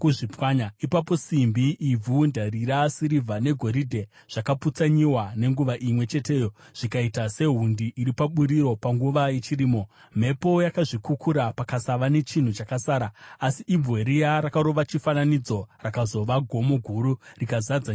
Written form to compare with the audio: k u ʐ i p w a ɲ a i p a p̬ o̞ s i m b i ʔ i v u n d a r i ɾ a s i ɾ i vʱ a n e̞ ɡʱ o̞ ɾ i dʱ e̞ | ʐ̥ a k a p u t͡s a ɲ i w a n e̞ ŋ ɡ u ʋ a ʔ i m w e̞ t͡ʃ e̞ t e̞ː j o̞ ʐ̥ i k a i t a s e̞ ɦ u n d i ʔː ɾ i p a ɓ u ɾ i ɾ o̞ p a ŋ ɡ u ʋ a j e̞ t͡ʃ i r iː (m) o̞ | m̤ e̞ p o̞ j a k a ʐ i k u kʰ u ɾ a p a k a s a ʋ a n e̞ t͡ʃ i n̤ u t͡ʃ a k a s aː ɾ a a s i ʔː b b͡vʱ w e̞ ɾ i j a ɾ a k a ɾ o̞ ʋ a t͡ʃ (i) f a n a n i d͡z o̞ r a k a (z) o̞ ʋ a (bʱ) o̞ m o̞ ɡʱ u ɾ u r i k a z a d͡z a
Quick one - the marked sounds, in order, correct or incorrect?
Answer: correct, correct, correct, incorrect: ɡʱ

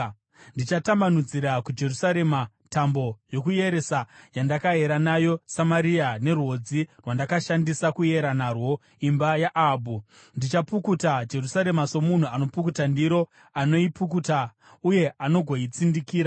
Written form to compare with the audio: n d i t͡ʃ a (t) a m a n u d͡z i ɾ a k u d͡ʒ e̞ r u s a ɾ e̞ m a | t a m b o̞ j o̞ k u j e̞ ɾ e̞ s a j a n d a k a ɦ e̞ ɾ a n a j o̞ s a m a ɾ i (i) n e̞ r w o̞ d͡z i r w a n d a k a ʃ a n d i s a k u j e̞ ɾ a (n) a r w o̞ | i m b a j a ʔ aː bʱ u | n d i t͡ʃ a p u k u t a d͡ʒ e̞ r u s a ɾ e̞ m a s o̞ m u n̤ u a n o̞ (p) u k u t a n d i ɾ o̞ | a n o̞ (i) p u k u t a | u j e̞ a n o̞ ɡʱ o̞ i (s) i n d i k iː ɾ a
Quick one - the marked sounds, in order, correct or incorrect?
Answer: correct, incorrect: a, correct, correct, correct, incorrect: t͡s

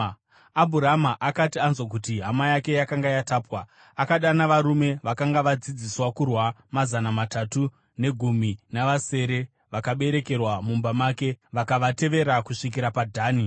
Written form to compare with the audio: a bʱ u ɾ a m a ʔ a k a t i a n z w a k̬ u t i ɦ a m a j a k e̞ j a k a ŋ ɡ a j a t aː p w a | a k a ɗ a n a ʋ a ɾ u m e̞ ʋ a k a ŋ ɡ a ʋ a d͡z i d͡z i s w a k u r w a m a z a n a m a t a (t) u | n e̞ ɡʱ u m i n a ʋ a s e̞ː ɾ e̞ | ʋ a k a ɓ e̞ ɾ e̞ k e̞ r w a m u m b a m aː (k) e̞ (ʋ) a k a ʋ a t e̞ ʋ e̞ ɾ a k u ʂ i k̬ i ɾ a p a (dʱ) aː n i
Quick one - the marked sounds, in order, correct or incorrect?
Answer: correct, correct, correct, correct

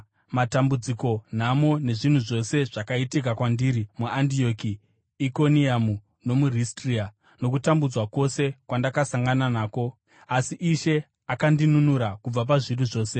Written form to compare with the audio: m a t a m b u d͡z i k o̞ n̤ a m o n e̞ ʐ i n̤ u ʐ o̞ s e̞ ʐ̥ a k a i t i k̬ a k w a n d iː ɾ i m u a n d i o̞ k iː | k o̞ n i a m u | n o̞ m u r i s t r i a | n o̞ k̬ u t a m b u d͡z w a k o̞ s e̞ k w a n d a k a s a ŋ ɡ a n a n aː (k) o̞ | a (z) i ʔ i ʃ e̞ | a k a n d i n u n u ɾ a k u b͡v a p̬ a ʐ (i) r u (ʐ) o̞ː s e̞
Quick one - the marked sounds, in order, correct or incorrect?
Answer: correct, incorrect: s, correct, correct

